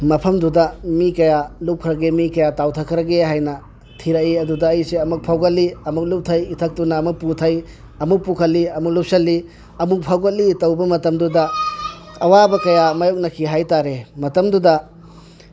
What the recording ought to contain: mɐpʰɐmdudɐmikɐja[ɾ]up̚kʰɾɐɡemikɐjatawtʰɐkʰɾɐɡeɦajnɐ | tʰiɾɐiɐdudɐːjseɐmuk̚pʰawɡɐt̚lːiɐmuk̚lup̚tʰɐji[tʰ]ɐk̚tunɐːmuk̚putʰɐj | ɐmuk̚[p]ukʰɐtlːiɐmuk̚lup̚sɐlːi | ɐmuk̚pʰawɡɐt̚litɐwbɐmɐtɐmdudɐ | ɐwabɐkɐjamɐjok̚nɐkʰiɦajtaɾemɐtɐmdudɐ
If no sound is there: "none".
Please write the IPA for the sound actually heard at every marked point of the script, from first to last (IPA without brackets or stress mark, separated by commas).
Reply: l, tʰ, p